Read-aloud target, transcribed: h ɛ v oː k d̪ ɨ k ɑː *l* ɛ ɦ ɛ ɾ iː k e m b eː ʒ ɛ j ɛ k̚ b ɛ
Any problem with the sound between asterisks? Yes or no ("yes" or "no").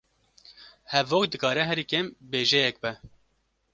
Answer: yes